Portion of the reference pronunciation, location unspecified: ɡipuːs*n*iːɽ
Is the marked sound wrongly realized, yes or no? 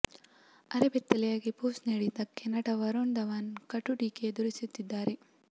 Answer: no